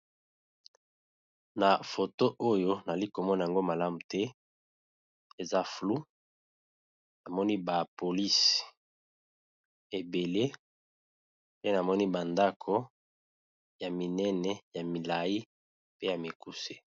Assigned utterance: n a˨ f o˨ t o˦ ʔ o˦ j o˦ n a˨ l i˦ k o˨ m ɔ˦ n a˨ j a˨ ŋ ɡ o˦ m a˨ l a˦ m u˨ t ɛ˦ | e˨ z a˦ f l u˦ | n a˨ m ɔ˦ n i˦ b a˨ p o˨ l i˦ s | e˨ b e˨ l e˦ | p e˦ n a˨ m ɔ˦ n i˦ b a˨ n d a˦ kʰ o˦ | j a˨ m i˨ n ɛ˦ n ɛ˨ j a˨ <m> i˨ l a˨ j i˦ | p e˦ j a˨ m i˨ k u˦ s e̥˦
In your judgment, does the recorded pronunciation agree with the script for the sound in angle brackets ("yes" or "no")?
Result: yes